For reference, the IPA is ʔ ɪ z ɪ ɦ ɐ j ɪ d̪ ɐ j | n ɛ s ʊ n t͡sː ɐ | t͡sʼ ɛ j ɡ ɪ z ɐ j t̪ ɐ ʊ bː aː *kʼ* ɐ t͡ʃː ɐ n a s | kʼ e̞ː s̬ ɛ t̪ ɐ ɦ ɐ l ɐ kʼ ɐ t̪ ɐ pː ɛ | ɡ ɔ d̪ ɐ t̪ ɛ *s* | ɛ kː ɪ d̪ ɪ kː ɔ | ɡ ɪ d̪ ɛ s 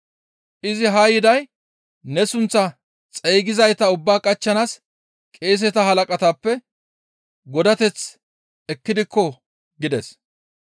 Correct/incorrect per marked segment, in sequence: correct, incorrect: t͡s

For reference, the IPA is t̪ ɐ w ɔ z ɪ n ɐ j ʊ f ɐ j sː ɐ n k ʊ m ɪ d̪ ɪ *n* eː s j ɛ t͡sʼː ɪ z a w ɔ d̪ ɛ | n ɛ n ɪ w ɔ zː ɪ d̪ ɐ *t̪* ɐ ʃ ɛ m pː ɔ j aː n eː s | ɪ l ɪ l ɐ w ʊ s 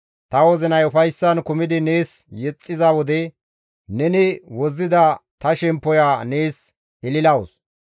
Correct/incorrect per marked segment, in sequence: correct, correct

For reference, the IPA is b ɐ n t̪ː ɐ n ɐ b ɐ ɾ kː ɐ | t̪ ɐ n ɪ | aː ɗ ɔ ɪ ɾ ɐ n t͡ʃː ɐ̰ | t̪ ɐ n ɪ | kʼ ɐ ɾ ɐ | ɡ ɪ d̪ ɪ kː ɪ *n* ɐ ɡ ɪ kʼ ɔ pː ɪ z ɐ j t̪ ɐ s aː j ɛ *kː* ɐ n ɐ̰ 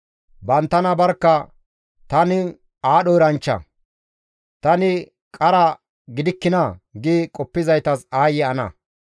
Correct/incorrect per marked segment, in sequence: correct, incorrect: none

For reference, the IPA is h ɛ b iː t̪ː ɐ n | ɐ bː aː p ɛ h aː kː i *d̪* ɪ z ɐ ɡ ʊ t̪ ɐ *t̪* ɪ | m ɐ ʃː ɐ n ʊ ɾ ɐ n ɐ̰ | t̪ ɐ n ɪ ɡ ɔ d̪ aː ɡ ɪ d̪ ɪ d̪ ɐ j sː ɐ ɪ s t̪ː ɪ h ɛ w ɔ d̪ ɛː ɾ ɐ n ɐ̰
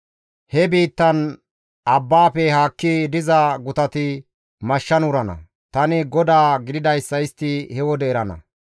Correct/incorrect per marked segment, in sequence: correct, correct

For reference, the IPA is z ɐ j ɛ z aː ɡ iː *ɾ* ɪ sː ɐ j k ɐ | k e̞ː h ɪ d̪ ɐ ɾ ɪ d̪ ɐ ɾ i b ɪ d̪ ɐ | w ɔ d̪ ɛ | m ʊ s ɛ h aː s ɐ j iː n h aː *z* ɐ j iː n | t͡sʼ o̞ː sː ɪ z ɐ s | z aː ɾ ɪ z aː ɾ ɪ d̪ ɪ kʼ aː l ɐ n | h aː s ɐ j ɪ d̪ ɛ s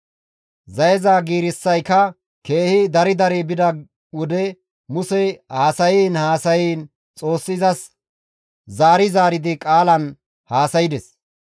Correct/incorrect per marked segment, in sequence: correct, incorrect: s

